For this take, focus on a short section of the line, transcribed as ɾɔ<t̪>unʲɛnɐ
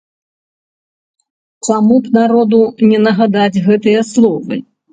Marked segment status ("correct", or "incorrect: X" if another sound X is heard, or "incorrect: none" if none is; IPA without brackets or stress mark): incorrect: d̪